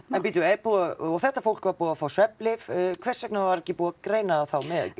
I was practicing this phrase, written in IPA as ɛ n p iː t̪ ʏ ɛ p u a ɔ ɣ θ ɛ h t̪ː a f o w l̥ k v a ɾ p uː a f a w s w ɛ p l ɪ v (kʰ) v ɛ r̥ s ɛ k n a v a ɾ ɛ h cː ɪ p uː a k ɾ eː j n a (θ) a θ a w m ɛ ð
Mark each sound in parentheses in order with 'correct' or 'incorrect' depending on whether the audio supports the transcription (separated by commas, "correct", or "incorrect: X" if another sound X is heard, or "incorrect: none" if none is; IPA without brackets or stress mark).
correct, incorrect: none